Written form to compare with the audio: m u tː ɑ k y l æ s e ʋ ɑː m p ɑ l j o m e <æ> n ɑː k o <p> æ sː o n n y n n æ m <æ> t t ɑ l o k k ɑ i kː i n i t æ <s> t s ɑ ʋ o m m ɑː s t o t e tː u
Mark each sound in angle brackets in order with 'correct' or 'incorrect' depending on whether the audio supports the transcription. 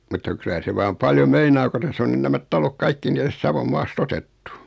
incorrect: i, incorrect: t, correct, correct

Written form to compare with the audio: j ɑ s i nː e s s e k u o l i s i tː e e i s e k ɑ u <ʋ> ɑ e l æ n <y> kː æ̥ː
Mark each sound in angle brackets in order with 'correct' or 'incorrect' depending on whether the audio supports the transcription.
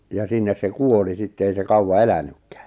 incorrect: w, correct

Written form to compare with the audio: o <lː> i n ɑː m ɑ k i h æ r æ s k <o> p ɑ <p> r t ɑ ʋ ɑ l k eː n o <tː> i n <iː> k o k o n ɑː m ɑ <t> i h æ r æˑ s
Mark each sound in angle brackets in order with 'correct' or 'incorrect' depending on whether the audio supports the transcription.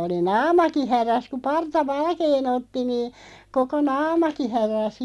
incorrect: l, incorrect: u, incorrect: none, correct, correct, incorrect: k

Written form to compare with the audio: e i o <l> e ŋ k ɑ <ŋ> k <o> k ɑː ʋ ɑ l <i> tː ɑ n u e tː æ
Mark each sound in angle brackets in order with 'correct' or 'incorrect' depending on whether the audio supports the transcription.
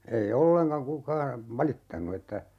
incorrect: lː, correct, incorrect: u, correct

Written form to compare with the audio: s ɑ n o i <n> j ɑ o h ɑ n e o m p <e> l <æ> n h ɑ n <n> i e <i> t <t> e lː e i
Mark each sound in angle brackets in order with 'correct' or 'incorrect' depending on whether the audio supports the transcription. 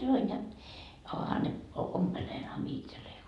correct, correct, incorrect: e, incorrect: m, correct, incorrect: s

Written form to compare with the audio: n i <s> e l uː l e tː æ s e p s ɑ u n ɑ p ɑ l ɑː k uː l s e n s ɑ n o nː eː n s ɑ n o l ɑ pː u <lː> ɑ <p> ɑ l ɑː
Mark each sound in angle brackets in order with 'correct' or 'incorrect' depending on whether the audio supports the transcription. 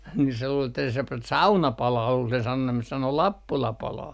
correct, incorrect: l, correct

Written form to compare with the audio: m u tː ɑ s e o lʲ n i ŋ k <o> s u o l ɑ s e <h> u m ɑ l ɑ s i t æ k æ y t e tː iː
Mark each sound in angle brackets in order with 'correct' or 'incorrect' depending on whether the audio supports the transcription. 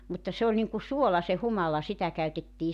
incorrect: u, correct

